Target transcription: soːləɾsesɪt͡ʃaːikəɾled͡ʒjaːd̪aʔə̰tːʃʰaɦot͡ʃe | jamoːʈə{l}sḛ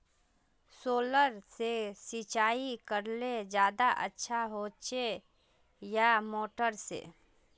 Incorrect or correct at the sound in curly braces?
incorrect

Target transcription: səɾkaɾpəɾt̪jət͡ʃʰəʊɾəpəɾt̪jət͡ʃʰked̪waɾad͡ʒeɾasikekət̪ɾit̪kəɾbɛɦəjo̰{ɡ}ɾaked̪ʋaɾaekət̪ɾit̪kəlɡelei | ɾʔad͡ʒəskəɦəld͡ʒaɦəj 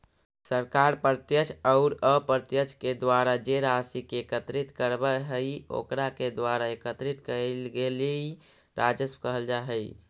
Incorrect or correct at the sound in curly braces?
incorrect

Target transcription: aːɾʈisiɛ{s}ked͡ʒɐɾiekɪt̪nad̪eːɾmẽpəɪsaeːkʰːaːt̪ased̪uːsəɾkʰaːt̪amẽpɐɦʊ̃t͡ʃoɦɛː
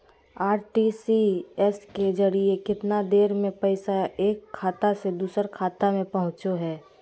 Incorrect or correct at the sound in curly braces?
correct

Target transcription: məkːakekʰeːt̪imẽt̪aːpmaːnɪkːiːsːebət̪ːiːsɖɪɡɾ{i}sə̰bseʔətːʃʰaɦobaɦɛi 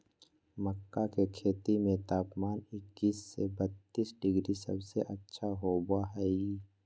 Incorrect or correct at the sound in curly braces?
correct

